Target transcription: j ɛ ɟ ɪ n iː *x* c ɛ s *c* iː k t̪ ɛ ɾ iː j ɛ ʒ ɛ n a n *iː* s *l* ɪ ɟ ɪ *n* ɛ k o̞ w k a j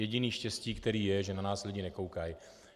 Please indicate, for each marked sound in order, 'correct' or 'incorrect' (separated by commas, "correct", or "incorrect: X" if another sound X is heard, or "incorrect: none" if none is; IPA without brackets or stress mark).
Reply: incorrect: ʃ, correct, incorrect: aː, correct, correct